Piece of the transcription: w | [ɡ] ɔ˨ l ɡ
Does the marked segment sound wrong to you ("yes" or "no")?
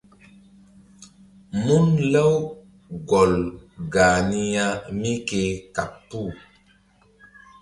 no